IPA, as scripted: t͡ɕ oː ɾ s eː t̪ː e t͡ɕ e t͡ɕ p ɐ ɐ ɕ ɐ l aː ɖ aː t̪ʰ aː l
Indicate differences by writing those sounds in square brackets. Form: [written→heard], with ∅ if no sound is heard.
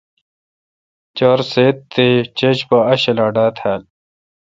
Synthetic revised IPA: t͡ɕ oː ɾ s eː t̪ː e t͡ɕ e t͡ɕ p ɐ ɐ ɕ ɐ l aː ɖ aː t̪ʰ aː l